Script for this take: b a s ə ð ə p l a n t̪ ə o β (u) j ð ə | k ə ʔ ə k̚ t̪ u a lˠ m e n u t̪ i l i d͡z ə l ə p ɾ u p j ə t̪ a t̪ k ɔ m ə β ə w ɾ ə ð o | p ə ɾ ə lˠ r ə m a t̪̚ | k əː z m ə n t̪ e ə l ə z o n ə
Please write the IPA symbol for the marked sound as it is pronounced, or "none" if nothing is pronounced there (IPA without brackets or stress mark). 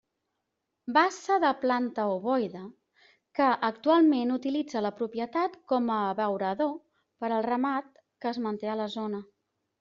ɔ